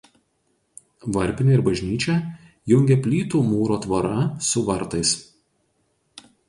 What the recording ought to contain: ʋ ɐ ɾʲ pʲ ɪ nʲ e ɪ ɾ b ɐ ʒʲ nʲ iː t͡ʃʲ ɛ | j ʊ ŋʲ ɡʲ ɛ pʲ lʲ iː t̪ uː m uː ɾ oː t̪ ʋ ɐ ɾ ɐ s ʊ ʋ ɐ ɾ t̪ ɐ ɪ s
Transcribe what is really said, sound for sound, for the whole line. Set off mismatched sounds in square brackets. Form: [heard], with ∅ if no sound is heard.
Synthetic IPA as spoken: ʋ ɐ ɾʲ pʲ ɪ nʲ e ɪ ɾ b ɐ ʒʲ nʲ iː t͡ʃʲ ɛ | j ʊ ŋʲ ɡʲ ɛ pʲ lʲ iː t̪ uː m uː ɾ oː t̪ ʋ ɐ ɾ ɐ s ʊ ʋ ɐ ɾ t̪ ɐ ɪ s